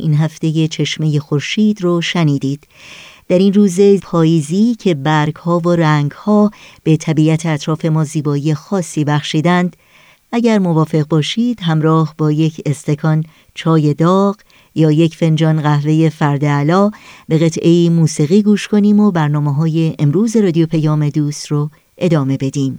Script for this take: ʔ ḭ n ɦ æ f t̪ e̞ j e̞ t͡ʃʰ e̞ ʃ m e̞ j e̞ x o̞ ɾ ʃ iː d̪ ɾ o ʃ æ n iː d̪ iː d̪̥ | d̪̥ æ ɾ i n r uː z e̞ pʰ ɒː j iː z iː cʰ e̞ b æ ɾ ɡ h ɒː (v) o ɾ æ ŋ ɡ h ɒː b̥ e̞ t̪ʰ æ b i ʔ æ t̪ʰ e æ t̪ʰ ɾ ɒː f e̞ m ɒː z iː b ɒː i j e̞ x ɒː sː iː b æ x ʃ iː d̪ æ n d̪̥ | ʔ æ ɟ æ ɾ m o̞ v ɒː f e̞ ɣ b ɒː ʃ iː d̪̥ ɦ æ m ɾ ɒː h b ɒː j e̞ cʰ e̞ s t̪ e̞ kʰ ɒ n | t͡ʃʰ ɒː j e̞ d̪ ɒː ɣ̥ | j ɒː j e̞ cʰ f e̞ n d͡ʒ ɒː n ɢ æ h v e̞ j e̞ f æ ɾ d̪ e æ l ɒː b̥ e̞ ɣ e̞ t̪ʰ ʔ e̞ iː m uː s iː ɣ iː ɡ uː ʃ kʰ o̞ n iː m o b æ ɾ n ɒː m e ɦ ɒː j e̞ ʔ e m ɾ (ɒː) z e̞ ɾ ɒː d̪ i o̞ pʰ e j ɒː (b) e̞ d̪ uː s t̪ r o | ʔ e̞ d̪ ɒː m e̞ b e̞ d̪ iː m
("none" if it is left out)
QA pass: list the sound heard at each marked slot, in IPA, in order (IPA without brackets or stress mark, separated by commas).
v, uː, m